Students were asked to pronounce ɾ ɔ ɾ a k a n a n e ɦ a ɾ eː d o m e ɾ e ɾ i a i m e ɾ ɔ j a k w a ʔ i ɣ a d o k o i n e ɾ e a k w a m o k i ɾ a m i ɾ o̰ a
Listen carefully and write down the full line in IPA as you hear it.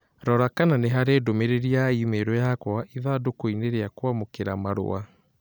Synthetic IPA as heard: ɾ ɔ ɾ a k a n a n e ɦ a ɾ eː d o m e ɾ e ɾ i a i m e ɾ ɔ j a k w a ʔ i ð a d o k o i n e ɾ e a k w a m o k e ɾ a m a ɾ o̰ a